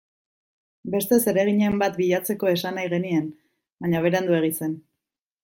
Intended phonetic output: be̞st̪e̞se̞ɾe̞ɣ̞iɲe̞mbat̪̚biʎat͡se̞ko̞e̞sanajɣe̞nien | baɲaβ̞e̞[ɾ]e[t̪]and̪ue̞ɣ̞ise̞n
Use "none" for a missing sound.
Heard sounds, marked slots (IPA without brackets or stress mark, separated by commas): ɾ, none